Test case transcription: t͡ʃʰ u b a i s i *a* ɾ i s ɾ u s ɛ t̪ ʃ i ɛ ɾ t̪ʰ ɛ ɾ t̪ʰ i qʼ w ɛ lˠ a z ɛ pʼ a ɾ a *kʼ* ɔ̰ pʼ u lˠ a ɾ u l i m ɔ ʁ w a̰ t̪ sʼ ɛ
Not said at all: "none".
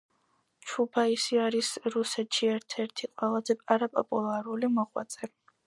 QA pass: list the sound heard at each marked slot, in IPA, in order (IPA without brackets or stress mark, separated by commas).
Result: a, pʼ